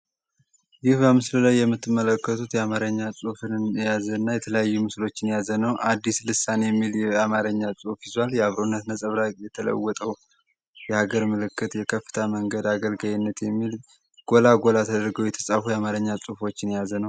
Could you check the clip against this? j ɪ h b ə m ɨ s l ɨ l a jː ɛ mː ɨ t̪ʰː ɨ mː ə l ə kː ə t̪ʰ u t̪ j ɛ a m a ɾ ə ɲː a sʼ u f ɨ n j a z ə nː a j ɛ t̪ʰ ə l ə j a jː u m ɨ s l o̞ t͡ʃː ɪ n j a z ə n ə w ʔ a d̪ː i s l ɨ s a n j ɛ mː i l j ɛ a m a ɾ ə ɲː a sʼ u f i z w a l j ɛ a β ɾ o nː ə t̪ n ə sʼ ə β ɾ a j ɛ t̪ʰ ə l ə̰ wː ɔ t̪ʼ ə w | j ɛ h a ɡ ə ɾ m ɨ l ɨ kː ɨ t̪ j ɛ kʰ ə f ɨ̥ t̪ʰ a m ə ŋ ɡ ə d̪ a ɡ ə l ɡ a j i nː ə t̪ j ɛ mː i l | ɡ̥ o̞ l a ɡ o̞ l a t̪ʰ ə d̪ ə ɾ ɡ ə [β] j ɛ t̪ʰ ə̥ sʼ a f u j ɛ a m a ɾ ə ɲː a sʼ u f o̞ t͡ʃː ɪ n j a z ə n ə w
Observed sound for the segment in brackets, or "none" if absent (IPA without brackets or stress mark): w